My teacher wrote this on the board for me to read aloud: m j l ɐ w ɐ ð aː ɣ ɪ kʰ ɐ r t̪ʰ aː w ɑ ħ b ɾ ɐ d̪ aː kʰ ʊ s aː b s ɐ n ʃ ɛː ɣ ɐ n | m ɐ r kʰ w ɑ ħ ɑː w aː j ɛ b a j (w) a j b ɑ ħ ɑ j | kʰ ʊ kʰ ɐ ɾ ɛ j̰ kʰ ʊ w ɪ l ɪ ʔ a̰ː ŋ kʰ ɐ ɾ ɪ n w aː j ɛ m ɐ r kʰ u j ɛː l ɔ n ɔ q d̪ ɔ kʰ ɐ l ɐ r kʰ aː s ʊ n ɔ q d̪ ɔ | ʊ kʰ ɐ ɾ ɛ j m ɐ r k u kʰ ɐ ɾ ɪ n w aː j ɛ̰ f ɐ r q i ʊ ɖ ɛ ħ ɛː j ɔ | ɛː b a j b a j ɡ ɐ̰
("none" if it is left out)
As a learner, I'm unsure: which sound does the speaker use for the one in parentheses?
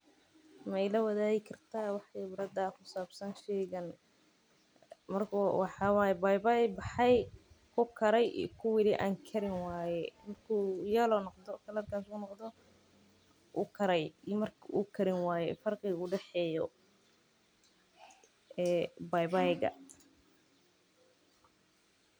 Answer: b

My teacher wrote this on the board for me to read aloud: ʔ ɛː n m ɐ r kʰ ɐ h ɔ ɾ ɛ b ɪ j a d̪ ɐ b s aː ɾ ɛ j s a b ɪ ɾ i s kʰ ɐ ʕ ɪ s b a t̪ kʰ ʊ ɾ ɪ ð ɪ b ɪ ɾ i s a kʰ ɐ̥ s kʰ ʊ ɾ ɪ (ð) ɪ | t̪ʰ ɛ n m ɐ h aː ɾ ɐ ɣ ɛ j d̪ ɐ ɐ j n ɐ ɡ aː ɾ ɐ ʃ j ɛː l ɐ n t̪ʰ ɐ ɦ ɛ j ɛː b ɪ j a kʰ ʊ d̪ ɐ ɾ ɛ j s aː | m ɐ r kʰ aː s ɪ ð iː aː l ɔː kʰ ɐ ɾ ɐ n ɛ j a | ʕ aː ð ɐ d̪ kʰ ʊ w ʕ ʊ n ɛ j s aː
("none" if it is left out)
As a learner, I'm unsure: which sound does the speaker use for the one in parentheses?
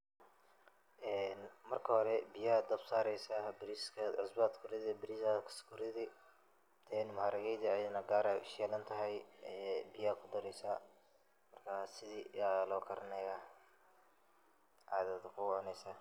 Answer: ð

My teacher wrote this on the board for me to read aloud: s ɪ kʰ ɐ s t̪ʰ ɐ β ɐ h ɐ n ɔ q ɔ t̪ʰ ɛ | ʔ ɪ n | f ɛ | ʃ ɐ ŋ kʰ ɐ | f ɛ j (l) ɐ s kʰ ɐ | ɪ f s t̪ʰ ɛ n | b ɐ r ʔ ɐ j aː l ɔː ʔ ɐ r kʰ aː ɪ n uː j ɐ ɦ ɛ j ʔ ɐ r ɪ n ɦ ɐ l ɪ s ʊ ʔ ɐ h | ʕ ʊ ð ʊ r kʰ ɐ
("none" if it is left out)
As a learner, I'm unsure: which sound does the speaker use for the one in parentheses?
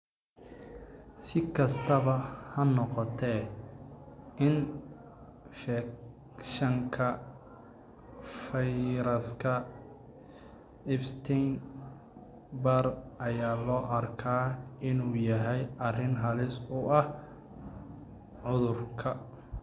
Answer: ɾ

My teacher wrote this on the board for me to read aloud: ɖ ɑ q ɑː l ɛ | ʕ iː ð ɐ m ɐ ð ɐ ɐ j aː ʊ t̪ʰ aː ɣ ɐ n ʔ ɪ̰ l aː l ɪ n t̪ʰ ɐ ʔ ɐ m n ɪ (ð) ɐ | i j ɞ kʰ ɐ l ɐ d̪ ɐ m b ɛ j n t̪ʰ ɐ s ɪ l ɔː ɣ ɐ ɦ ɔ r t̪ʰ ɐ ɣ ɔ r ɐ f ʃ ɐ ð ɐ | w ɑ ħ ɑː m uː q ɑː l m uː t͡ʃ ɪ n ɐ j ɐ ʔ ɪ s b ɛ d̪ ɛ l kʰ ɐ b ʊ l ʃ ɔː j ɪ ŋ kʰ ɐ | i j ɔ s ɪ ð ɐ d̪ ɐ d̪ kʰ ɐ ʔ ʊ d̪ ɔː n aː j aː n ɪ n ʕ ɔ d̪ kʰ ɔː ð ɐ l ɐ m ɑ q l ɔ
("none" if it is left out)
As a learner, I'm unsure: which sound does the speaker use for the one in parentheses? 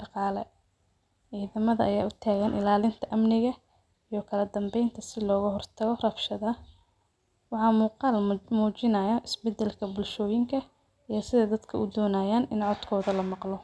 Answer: ɣ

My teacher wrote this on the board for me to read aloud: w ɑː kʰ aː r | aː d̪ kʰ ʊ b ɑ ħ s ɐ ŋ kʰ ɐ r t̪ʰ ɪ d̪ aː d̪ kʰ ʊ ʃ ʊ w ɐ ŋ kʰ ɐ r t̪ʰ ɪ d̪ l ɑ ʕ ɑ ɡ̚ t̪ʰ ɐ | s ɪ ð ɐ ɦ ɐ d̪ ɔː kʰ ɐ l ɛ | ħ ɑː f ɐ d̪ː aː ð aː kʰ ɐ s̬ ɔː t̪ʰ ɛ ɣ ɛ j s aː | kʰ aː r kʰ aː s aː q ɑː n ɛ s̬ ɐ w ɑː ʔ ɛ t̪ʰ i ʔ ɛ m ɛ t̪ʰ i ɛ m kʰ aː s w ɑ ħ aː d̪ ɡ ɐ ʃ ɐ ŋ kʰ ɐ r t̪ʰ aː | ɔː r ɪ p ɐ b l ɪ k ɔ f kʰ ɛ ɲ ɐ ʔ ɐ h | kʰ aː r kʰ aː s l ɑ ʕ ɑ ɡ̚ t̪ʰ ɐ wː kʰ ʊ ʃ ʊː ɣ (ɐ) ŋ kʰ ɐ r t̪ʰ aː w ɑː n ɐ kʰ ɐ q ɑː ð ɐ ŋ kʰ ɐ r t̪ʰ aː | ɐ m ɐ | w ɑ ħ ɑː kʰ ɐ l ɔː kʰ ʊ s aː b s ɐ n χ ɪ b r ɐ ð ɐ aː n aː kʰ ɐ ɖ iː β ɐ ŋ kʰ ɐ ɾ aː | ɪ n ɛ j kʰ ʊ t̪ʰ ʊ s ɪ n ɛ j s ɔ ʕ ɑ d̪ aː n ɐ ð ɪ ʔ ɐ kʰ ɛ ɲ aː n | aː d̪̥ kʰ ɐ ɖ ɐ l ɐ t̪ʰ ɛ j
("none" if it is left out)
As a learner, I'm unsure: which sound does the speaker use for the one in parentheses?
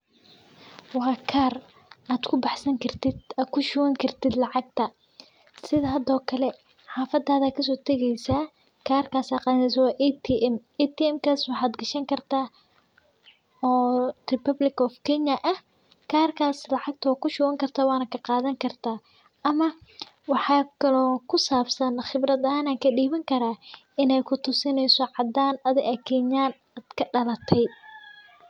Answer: ɐ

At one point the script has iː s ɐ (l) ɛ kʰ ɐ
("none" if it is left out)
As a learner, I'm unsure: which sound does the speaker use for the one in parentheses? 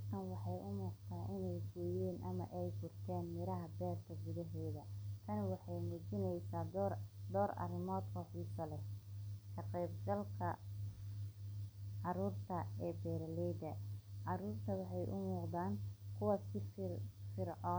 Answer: l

